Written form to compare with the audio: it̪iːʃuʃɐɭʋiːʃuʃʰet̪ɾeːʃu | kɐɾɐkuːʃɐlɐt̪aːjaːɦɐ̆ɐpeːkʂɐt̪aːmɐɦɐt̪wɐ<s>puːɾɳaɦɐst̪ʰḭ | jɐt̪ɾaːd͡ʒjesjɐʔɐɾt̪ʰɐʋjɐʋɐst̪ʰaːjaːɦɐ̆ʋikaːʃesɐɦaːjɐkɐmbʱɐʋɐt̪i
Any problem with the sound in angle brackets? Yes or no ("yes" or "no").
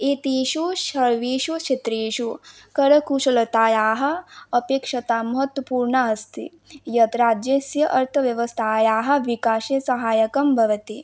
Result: yes